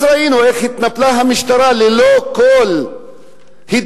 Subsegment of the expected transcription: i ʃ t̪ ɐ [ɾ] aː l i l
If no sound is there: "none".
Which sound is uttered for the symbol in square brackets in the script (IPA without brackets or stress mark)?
ɾ